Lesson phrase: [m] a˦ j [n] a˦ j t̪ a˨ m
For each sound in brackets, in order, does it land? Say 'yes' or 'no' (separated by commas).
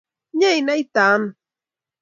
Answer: no, yes